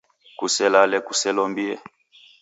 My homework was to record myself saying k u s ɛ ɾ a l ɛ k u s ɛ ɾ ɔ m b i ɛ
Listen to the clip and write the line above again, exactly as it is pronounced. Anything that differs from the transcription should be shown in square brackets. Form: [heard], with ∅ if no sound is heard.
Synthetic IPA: k u s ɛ [l] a l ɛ k u s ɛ [l] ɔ m b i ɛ